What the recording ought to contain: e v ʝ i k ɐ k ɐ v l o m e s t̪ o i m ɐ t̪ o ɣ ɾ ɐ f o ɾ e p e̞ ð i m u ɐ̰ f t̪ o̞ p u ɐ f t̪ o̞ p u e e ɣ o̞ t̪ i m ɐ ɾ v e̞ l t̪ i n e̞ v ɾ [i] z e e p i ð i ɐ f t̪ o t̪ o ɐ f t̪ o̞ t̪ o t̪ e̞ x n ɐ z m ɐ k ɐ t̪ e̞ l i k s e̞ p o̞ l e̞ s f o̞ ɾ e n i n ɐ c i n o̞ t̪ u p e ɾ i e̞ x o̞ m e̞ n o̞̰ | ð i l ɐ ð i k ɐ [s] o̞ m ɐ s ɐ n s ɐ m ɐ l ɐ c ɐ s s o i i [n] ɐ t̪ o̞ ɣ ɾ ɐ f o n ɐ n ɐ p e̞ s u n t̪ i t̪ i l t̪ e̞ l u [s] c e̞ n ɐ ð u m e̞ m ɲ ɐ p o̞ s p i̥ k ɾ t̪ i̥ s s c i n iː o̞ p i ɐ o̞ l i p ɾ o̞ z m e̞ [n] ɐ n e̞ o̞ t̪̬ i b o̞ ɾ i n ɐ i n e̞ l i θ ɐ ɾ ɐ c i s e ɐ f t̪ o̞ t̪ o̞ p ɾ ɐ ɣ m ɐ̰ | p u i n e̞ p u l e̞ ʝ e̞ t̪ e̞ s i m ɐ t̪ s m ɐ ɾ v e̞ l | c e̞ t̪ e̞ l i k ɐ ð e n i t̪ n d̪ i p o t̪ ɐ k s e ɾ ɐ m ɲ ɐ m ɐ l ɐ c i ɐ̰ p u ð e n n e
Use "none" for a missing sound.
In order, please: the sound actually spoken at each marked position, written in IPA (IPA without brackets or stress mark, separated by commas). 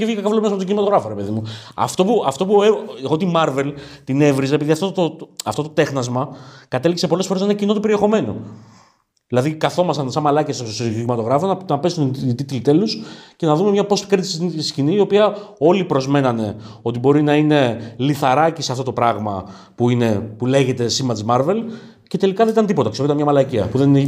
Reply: i, θ, m, s, n